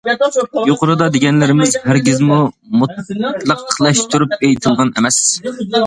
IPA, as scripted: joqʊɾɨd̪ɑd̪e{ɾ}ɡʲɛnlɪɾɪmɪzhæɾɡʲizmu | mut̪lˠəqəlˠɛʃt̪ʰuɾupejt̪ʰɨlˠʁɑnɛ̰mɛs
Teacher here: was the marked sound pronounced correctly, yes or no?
no